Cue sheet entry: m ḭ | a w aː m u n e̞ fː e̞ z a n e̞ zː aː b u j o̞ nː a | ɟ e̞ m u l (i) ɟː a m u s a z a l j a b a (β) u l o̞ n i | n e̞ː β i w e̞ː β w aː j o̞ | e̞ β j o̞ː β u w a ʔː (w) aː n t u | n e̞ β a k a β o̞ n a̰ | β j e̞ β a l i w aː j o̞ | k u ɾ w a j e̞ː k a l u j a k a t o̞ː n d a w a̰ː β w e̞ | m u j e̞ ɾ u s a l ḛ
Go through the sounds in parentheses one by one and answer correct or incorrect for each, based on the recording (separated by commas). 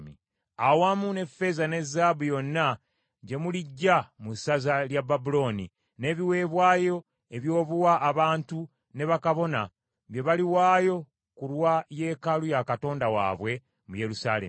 correct, incorrect, incorrect